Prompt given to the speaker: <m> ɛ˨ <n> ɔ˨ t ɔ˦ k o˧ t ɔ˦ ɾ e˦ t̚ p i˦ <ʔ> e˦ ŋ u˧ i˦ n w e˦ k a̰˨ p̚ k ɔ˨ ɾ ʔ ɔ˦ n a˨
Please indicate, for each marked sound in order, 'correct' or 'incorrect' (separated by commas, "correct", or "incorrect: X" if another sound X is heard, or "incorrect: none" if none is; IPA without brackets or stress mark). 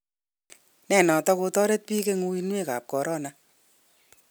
incorrect: n, correct, incorrect: k